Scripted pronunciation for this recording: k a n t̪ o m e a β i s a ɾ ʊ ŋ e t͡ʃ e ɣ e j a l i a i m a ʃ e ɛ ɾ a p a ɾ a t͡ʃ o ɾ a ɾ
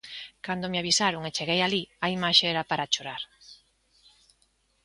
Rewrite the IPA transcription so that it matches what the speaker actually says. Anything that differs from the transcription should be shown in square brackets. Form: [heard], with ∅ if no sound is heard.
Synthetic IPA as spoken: k a n [d̪] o m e a β i s a ɾ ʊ ŋ e t͡ʃ e ɣ e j a l i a i m a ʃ e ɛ ɾ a p a ɾ a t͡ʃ o ɾ a ɾ